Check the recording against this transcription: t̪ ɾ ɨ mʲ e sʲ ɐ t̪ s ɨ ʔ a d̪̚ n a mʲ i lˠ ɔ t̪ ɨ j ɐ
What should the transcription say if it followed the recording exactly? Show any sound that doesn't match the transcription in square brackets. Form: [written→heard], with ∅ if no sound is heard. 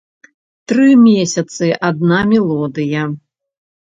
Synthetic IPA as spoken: t̪ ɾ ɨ mʲ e sʲ ɐ t̪ s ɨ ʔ a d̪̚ n a mʲ [i→ɛ] lˠ ɔ [t̪→d̪] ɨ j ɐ